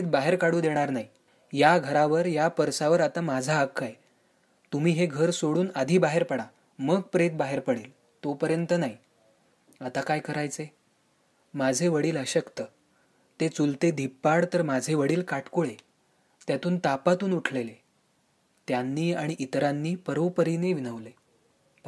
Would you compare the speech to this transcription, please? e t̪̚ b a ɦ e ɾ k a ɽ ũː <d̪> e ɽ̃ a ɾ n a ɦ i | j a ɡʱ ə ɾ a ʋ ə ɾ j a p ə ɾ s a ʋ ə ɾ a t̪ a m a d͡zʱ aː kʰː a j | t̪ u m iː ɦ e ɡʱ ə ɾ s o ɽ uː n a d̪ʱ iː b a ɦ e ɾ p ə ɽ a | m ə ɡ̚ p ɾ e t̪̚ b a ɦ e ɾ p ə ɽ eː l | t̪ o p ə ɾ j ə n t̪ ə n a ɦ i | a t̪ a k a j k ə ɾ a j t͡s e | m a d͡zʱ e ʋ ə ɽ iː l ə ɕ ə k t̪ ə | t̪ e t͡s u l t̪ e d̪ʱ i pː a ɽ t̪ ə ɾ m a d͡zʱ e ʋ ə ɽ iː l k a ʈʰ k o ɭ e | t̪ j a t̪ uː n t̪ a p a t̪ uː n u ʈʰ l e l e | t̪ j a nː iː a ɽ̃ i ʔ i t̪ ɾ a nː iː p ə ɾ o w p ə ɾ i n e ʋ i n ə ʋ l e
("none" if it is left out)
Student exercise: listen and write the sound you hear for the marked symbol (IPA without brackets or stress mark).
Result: d̪